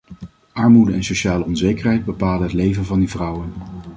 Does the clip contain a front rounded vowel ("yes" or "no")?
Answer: no